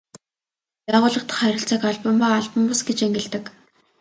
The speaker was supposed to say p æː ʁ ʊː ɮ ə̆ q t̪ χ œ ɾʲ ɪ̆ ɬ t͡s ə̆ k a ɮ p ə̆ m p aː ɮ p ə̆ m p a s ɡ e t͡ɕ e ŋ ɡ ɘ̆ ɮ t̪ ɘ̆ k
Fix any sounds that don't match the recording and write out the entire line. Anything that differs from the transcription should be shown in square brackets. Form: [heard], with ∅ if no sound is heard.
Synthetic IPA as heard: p æː ʁ ʊː ɮ ə̆ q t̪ χ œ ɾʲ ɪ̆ ɬ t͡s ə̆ k a ɮ p ə̆ m p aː ɮ p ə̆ m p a s ɡ e t͡ɕ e ŋ ɡ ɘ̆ ɮ t̪ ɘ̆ k